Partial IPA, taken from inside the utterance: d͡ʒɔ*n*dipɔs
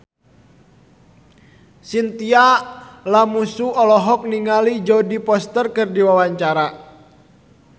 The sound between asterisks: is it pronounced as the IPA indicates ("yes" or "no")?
no